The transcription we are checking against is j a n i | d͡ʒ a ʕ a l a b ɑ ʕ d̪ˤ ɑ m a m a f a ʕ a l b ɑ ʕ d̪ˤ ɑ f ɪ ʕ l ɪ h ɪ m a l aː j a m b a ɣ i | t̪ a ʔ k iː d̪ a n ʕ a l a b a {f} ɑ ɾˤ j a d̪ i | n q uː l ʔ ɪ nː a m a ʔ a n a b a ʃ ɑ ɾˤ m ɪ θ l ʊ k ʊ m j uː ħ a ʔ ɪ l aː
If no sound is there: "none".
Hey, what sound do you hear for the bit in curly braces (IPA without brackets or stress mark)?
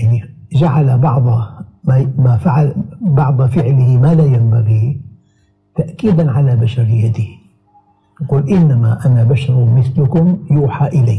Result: ʃ